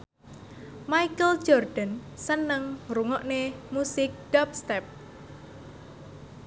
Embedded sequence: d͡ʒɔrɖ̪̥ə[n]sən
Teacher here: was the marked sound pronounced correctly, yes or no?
yes